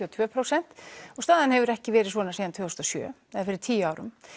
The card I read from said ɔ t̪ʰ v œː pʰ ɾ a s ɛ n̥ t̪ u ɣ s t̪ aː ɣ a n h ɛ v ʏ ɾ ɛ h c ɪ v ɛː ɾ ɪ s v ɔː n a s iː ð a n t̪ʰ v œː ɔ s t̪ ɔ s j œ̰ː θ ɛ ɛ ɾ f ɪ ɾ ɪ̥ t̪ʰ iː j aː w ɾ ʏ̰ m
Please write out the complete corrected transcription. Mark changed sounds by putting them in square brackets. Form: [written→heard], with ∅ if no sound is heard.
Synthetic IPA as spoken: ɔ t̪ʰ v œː pʰ ɾ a s ɛ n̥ t̪ [u→ɔ] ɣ s t̪ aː [ɣ→ð] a n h ɛ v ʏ ɾ ɛ h c ɪ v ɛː ɾ ɪ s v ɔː n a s iː ð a n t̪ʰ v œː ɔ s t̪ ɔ s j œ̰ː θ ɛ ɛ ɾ f ɪ ɾ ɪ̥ t̪ʰ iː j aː w ɾ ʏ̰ m